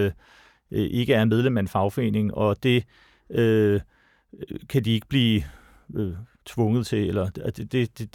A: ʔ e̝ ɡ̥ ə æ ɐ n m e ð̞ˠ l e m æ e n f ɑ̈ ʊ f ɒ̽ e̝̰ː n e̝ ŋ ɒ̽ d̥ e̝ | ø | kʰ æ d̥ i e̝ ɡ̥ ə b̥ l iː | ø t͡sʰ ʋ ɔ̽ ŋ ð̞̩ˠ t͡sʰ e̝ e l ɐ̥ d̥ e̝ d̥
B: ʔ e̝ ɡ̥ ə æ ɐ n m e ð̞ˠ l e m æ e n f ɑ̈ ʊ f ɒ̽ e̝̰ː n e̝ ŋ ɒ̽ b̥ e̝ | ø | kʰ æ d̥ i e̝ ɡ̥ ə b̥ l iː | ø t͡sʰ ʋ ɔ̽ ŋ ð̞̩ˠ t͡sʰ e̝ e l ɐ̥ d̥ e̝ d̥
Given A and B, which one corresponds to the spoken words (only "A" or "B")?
A